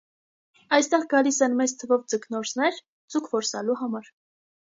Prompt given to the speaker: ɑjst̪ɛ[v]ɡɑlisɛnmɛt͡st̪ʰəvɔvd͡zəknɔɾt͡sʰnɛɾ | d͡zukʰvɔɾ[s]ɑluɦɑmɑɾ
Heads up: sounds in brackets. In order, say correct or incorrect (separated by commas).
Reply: incorrect, correct